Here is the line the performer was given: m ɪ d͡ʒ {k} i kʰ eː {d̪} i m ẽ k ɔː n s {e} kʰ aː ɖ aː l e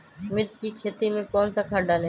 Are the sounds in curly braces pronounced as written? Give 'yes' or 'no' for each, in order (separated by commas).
yes, no, no